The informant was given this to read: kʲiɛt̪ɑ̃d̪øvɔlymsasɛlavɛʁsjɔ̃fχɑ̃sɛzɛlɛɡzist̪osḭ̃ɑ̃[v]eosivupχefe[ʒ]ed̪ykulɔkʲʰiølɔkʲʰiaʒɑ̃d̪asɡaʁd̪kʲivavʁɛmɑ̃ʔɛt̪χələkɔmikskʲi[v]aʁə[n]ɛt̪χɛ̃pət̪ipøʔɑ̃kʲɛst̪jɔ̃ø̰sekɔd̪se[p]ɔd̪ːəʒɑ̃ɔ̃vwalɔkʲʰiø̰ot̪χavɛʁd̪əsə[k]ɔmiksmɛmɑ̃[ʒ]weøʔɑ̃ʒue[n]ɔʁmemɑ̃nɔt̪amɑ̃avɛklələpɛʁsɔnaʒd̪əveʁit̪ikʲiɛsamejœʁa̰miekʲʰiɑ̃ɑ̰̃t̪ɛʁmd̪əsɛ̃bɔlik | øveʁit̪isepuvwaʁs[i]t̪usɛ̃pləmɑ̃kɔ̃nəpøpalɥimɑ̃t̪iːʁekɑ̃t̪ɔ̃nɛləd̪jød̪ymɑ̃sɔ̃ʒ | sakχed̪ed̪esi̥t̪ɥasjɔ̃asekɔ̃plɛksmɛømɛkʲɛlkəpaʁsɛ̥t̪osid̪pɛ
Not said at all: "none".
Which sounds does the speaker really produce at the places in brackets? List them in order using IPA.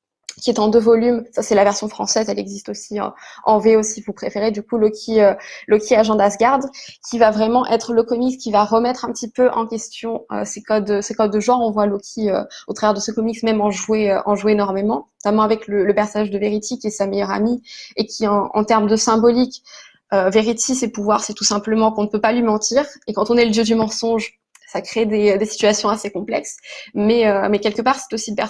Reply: v, ʁ, v, m, k, k, ʒ, n, ɛ

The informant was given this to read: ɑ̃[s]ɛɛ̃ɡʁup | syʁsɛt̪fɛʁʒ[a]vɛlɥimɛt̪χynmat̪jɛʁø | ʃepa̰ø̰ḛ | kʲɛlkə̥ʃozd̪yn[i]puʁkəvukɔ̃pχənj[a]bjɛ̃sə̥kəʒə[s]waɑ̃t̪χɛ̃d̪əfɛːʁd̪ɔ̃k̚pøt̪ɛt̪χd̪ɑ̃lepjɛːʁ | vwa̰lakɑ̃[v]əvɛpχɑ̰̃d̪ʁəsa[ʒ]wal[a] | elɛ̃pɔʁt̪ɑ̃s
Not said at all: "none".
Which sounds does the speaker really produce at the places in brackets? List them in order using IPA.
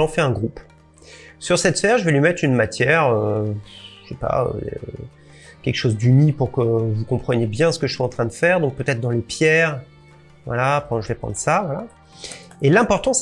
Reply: f, ə, i, e, s, ʒ, v, a

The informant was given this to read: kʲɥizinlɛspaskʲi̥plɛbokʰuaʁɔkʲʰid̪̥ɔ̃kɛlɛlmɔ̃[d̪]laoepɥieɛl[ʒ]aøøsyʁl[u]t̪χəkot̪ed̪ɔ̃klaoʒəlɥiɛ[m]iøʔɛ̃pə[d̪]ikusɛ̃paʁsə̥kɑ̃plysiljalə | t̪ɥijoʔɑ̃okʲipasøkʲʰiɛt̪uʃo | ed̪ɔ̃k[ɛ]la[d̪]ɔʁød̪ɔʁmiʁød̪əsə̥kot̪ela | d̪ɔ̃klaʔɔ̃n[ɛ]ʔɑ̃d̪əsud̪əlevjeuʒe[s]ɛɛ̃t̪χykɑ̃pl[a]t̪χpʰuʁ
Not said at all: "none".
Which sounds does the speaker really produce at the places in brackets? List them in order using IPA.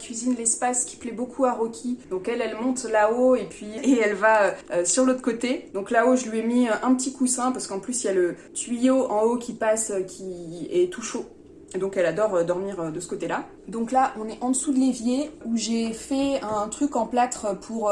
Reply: t̪, v, o, m, t̪, ɛ, d̪, ɛ, f, a

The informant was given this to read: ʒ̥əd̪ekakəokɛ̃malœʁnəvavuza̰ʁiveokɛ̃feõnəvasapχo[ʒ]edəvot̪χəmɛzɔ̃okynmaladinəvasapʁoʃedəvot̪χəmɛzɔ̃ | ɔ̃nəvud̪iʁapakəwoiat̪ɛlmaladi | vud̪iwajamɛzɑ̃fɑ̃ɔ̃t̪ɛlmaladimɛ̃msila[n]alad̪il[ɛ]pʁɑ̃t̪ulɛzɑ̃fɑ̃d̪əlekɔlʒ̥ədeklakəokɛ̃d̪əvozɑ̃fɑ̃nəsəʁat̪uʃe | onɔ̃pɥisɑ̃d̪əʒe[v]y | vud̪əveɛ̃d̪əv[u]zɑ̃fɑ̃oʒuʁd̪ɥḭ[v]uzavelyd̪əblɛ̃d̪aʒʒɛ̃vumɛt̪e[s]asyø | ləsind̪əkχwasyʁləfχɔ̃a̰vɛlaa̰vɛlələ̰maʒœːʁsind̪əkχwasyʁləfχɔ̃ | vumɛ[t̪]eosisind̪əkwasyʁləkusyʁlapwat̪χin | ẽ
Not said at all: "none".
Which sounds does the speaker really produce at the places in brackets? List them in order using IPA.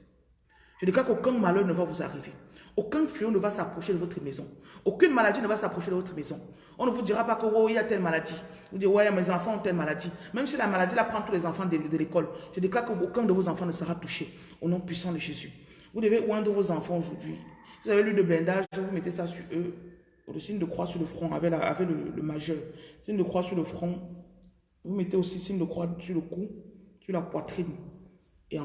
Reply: ʃ, m, a, z, o, v, s, t̪

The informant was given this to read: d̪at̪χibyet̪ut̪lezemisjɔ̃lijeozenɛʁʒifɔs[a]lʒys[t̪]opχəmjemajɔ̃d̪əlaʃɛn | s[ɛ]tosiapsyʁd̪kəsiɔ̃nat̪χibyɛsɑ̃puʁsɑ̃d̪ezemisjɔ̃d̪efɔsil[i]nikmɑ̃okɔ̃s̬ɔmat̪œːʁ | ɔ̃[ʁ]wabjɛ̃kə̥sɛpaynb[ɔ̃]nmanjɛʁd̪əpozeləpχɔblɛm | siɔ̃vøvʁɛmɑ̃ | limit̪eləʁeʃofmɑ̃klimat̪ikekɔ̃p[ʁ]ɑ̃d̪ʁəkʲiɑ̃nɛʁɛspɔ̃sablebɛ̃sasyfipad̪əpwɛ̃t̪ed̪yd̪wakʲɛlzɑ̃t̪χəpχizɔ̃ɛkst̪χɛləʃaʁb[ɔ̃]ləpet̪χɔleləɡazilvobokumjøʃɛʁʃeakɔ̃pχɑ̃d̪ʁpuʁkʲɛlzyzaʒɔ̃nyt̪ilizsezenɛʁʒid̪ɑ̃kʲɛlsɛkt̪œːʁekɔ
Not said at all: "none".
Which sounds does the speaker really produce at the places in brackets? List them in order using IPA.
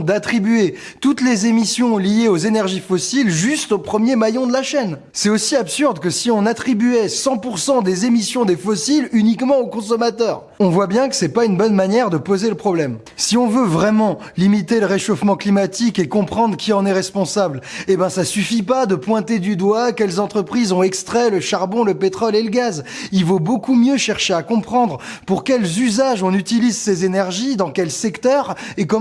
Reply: i, t̪, ɛ, y, v, ɔ, χ, ɔ̃

